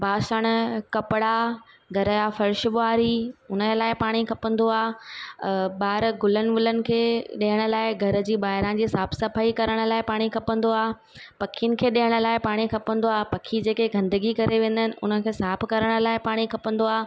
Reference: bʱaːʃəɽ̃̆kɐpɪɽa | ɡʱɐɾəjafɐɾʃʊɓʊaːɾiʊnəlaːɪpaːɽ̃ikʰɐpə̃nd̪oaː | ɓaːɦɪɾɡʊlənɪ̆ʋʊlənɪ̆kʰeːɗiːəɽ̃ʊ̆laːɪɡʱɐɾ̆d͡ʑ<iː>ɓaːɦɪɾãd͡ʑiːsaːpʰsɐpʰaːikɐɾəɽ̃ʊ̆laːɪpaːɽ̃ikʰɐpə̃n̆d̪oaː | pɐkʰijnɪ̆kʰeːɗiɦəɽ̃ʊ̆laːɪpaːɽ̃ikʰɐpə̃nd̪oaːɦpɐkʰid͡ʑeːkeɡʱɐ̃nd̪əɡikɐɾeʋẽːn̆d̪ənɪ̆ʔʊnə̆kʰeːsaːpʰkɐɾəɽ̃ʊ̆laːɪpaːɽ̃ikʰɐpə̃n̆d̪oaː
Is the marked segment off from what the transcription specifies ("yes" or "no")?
no